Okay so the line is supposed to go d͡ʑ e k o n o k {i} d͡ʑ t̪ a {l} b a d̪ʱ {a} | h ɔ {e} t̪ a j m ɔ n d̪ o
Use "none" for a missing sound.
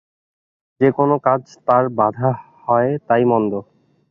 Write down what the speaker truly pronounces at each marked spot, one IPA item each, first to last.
a, ɾ, a, e

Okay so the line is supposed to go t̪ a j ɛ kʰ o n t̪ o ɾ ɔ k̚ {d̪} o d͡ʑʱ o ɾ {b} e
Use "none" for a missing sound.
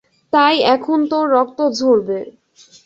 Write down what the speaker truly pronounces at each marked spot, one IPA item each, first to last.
t̪, b

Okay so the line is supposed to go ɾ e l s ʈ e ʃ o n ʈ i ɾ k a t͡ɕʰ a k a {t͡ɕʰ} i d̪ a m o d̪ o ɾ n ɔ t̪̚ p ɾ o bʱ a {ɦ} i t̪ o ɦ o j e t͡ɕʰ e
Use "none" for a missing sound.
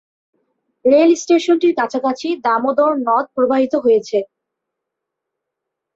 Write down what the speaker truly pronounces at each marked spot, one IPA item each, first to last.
t͡ɕʰ, ɦ

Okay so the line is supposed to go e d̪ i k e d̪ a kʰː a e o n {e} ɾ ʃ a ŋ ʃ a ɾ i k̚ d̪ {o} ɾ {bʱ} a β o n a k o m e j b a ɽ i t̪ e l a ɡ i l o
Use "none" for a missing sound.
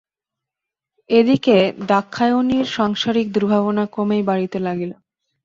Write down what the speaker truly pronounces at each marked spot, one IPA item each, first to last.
i, u, bʱ

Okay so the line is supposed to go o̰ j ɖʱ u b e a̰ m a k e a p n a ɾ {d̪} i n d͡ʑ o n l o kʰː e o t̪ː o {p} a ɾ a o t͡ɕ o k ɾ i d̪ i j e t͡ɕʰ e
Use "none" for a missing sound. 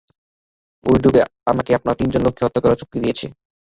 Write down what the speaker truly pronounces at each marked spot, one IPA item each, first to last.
t̪, k

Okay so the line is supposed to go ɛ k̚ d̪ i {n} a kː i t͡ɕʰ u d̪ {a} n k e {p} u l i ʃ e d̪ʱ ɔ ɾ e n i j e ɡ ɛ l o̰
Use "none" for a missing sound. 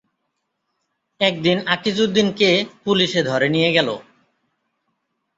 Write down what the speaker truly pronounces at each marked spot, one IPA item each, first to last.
n, i, p

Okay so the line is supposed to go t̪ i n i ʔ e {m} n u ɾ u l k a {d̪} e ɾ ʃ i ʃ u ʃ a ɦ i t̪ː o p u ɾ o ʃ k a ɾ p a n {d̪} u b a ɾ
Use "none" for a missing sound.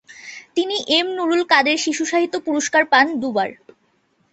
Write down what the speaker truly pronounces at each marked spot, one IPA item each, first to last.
m, d̪, d̪

